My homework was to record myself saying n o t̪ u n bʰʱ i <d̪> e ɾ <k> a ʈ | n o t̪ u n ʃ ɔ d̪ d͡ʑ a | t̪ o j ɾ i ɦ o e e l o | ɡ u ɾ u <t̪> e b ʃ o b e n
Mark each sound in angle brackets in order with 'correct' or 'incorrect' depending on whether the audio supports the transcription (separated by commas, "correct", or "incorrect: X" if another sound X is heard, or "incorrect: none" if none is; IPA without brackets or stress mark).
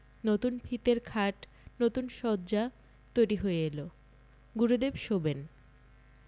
incorrect: t̪, incorrect: kʰ, incorrect: d̪